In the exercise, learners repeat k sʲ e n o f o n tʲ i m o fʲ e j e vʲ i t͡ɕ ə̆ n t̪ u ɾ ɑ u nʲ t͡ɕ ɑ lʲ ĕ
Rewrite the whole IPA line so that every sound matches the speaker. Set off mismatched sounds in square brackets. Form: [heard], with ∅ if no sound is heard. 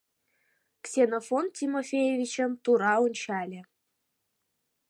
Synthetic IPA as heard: k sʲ e n o f o n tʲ i m o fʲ e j e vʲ i t͡ɕ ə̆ [m] t̪ u ɾ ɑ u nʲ t͡ɕ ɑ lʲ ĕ